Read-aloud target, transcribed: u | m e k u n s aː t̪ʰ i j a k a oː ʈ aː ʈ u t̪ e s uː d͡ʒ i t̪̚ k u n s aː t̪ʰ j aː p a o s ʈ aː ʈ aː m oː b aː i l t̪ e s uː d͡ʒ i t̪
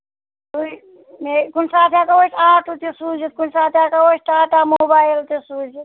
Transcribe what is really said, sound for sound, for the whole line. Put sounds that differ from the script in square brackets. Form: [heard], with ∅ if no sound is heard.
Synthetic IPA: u | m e k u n s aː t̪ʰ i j a k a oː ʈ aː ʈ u t̪ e s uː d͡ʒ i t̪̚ k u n s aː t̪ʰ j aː [k] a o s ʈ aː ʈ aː m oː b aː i l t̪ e s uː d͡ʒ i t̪